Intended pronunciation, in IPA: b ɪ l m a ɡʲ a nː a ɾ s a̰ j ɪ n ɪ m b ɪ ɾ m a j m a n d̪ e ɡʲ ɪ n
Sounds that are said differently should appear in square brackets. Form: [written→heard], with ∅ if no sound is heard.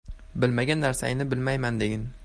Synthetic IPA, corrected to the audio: b ɪ l m a ɡʲ a nː a ɾ s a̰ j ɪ n ɪ [m→∅] b ɪ [ɾ→l] m a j m a n d̪ e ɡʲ ɪ n